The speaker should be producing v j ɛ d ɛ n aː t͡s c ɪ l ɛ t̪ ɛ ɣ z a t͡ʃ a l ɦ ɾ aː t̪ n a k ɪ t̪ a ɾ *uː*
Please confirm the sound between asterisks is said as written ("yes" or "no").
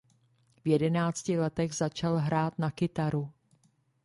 no